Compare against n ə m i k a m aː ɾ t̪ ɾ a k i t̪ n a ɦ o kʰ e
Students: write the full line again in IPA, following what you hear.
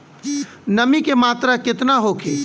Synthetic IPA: n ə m i k e m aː t̪ ɾ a k ɪ t̪ n a ɦ o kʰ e